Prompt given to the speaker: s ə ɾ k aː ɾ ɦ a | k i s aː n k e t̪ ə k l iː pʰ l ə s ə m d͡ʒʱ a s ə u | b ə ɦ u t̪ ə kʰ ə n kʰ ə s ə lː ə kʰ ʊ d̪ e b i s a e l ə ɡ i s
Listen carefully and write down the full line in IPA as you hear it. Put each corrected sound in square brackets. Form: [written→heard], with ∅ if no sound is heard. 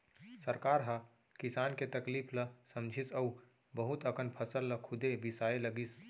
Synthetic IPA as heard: s ə ɾ k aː ɾ ɦ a | k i s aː n k e t̪ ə k l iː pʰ l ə s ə m d͡ʒʱ [a→i] s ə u | b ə ɦ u t̪ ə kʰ ə n [kʰ→pʰ] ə s ə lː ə kʰ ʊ d̪ e b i s a e l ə ɡ i s